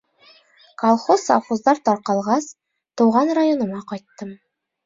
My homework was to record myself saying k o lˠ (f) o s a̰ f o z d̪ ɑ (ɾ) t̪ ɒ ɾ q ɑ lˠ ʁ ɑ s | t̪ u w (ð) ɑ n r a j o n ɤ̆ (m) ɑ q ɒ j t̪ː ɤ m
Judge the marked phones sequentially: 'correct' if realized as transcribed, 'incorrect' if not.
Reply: incorrect: χ, correct, incorrect: ʁ, correct

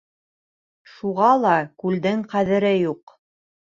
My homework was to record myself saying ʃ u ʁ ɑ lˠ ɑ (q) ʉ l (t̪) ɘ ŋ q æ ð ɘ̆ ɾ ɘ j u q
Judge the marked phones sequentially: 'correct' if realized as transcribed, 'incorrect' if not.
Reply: incorrect: k, incorrect: d̪

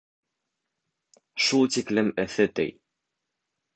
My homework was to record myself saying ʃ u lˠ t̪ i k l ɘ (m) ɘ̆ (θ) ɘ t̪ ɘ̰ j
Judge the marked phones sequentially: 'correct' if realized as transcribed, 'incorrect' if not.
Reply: correct, correct

